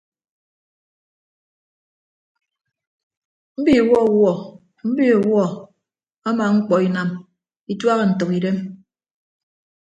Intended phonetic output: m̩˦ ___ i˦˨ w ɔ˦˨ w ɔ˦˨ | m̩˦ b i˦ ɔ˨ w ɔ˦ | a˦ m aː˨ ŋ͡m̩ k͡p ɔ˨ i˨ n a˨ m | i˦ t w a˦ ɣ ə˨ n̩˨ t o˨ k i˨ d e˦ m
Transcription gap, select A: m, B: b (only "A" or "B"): B